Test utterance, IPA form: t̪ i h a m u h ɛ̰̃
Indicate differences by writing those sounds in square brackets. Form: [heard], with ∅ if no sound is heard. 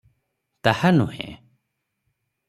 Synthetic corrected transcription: t̪ [a] h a [n] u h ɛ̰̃